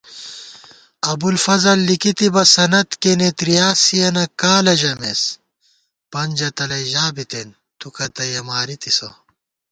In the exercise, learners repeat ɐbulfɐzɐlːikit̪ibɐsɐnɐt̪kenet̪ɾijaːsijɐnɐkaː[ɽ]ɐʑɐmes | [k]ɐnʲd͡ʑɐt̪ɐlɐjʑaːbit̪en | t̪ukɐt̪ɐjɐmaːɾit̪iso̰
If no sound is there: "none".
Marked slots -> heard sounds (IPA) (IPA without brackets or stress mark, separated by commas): l, p